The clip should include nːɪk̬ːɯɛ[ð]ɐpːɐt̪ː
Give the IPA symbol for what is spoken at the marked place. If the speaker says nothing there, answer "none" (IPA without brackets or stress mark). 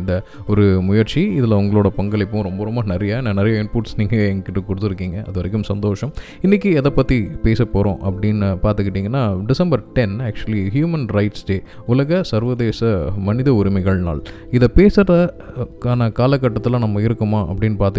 ð